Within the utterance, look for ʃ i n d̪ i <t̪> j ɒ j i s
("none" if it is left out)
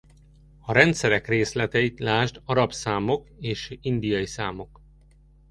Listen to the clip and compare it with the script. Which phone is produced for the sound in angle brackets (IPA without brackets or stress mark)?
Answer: none